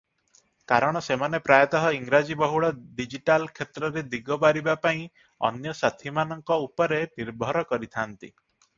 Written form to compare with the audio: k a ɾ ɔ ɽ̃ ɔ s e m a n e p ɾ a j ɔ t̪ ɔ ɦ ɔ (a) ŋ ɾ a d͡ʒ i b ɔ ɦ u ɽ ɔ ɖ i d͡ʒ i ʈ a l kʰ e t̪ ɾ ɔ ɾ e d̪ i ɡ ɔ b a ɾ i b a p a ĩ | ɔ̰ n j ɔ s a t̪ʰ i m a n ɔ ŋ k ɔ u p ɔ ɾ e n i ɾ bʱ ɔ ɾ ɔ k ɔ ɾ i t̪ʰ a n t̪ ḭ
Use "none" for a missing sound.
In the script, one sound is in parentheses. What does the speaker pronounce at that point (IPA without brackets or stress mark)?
i